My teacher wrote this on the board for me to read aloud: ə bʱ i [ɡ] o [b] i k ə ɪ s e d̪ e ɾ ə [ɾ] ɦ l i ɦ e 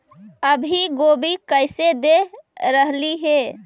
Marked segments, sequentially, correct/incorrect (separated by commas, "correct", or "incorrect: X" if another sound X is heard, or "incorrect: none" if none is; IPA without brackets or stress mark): correct, correct, incorrect: none